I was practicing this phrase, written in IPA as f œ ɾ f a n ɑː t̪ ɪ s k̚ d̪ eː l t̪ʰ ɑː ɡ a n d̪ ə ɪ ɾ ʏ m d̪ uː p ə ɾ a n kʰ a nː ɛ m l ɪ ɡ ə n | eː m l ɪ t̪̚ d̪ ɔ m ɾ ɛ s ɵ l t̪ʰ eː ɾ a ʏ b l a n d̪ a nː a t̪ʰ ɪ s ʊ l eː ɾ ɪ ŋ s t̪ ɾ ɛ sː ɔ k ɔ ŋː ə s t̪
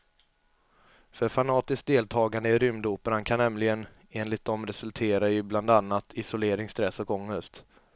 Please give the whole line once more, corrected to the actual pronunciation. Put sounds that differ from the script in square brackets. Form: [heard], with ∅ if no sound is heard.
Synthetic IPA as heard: f œ ɾ f a n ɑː t̪ ɪ s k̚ d̪ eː l t̪ʰ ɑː ɡ a n d̪ ə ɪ ɾ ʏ m d̪ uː p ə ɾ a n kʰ a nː ɛ m l ɪ ɡ ə n | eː [n] l ɪ t̪̚ d̪ ɔ m ɾ ɛ s ɵ l t̪ʰ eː ɾ a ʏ b l a n d̪ a nː a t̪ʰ ɪ s ʊ l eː ɾ ɪ ŋ s t̪ ɾ ɛ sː ɔ k ɔ ŋː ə s t̪